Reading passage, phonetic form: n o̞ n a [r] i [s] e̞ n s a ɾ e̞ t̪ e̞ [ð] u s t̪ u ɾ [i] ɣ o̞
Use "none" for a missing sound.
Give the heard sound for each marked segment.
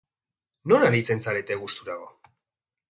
ɾ, t͡s, ɣ, a

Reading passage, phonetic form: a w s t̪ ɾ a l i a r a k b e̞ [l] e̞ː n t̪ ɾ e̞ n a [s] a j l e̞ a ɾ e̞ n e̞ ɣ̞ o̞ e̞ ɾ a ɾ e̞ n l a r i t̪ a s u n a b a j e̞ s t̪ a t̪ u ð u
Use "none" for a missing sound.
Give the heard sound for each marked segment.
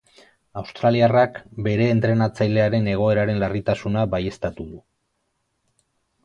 ɾ, t͡s

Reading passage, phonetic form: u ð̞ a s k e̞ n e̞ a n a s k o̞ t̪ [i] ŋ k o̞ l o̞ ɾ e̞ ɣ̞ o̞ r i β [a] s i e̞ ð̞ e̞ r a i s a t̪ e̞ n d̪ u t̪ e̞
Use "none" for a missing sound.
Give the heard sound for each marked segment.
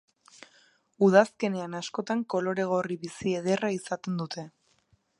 a, i

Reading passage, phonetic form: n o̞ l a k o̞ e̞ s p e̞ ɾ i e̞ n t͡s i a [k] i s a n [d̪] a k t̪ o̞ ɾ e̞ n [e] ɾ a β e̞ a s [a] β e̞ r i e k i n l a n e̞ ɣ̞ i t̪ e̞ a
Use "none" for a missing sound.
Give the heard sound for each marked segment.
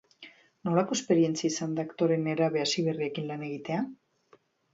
none, d̪, e, i

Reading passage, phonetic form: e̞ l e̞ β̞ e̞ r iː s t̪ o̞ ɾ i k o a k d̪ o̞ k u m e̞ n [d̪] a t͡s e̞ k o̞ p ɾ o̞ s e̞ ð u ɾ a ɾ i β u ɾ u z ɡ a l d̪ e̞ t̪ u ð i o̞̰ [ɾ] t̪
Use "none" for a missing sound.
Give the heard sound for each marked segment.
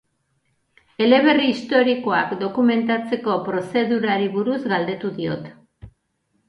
t̪, none

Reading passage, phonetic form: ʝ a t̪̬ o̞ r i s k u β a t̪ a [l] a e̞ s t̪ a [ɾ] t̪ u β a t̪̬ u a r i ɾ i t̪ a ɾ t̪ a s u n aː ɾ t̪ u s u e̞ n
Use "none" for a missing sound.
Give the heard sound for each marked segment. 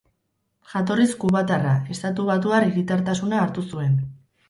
r, none

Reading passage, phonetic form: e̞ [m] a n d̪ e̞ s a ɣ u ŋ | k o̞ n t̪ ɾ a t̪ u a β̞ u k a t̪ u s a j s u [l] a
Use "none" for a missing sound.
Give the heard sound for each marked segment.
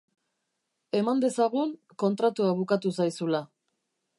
m, l

